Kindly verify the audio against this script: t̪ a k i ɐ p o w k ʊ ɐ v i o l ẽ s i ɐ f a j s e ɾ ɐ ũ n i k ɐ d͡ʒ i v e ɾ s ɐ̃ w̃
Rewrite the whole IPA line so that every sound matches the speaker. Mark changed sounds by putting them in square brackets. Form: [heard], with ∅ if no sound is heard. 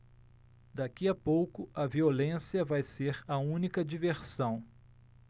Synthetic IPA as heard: [d̪] a k i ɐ p o w k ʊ ɐ v i o l ẽ s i ɐ [v] a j s e ɾ ɐ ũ n i k ɐ d͡ʒ i v e ɾ s ɐ̃ w̃

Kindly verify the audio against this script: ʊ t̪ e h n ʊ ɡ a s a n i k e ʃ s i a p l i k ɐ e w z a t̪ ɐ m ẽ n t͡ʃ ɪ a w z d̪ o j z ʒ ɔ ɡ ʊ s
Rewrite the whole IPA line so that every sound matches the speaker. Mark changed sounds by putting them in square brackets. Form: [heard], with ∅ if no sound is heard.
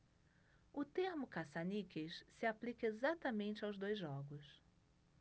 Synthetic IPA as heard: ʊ t̪ e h [m] ʊ [k] a s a n i k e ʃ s [ɪ] a p l i k ɐ e [∅] z a t̪ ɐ m ẽ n t͡ʃ ɪ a w z d̪ o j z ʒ ɔ ɡ ʊ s

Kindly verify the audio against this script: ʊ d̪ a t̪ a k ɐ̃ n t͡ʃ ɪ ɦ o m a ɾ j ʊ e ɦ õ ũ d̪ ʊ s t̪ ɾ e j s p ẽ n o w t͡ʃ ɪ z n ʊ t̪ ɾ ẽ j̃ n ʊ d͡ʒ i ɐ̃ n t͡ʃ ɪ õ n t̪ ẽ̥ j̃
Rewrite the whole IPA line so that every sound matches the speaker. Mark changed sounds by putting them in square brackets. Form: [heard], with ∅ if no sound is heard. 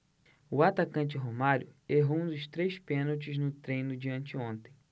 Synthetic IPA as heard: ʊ [∅] a t̪ a k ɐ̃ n t͡ʃ ɪ ɦ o m a ɾ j ʊ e ɦ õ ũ d̪ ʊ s t̪ ɾ e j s p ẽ n o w t͡ʃ ɪ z n ʊ t̪ ɾ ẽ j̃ n ʊ d͡ʒ i ɐ̃ n t͡ʃ ɪ õ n t̪ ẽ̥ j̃

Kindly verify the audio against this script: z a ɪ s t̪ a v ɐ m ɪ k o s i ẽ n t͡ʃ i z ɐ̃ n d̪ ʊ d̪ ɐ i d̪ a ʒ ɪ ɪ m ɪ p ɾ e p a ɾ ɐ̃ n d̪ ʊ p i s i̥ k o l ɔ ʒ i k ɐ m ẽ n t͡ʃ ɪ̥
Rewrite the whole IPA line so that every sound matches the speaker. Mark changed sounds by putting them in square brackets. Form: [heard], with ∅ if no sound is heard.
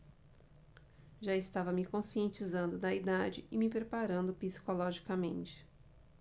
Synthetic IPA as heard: [ʒ] a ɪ s t̪ a v ɐ m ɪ k [õ] s i ẽ n t͡ʃ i z ɐ̃ n d̪ ʊ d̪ ɐ i d̪ a [d͡ʒ] ɪ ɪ m ɪ p ɾ e p a ɾ ɐ̃ n d̪ ʊ p i s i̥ k o l ɔ ʒ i k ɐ m ẽ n t͡ʃ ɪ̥

